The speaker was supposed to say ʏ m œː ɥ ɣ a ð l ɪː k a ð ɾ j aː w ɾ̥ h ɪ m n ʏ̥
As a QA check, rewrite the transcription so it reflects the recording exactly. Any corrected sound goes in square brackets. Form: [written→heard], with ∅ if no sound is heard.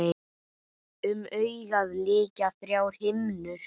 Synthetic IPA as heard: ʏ m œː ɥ ɣ a ð l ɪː [k→c] a [ð→θ] ɾ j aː w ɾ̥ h ɪ m n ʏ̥